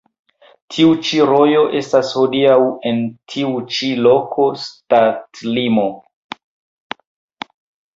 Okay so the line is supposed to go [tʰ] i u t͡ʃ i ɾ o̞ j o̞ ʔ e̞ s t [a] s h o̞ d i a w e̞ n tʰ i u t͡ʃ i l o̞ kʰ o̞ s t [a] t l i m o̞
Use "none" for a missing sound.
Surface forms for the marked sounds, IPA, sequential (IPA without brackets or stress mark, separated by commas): tʰ, a, a